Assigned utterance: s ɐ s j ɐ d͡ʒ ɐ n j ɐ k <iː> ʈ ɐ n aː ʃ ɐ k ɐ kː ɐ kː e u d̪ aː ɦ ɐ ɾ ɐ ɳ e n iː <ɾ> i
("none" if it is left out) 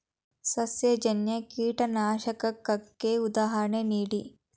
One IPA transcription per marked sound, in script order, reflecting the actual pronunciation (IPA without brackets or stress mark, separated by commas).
iː, ɽ